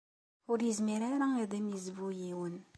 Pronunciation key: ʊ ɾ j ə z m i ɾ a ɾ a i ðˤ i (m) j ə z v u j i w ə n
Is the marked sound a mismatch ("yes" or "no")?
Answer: no